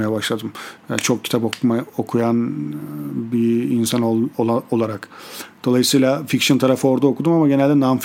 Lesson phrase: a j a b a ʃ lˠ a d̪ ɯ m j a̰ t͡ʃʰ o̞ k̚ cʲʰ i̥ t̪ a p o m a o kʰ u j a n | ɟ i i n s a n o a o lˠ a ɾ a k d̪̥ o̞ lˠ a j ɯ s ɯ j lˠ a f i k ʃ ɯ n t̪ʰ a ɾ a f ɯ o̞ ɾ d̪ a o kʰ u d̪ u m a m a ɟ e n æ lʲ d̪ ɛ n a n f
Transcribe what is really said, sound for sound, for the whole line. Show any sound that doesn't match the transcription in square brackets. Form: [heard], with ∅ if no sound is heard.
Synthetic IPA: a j a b a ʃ lˠ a d̪ ɯ m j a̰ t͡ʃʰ o̞ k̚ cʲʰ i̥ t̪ a p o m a o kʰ u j a n | [b] i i n s a n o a o lˠ a ɾ a k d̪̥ o̞ lˠ a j ɯ s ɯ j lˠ a f i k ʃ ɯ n t̪ʰ a ɾ a f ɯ o̞ ɾ d̪ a o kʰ u d̪ u m a m a ɟ e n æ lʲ d̪ ɛ n a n f